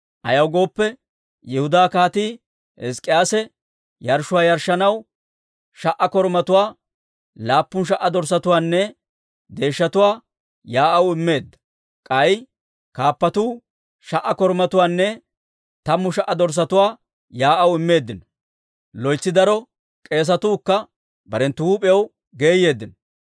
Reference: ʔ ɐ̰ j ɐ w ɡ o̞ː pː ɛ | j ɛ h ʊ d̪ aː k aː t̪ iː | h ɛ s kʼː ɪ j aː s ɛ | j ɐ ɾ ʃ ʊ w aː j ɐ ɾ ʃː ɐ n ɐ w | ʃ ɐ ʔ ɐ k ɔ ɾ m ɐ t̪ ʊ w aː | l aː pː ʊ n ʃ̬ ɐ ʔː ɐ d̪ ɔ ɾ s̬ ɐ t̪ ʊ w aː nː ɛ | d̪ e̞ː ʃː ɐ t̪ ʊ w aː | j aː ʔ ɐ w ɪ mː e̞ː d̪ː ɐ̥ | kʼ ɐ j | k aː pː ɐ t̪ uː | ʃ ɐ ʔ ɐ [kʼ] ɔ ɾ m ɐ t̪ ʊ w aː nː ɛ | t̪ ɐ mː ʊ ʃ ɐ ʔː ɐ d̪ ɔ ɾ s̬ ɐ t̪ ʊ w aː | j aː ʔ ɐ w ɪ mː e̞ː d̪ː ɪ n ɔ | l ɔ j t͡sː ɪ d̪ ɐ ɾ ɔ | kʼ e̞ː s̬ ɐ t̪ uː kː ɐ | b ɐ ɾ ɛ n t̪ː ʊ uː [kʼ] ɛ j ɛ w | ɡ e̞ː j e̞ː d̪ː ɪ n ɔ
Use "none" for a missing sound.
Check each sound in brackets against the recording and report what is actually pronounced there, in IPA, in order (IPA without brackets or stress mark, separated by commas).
k, pʼ